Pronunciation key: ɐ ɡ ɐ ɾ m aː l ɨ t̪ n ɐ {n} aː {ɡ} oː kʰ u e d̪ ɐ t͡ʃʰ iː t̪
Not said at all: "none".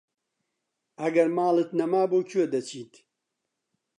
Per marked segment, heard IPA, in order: m, b

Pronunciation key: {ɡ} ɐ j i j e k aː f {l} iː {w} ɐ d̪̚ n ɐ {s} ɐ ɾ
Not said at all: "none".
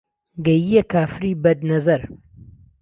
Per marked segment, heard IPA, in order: ɡ, ɾ, b, z

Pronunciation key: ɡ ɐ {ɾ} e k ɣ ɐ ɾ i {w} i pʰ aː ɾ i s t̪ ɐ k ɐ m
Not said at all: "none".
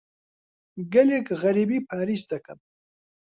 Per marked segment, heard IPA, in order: l, b

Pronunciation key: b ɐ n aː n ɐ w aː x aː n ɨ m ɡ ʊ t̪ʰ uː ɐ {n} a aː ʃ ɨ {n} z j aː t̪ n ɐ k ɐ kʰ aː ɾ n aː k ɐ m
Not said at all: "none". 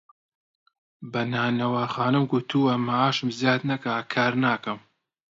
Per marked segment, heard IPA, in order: m, m

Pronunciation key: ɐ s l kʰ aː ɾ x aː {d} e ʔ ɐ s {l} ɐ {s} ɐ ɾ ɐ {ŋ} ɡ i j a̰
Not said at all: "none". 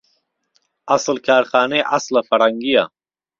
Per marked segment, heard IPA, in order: n, l, f, ŋ

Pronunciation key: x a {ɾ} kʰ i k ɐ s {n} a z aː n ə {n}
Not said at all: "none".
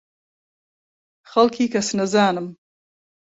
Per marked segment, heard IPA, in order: l, n, m

